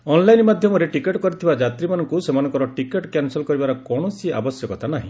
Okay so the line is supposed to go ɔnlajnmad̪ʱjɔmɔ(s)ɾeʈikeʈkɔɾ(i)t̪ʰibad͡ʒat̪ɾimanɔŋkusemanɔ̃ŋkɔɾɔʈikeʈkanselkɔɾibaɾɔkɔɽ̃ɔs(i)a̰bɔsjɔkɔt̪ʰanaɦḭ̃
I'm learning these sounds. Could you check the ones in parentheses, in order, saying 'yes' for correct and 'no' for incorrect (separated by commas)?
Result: no, yes, yes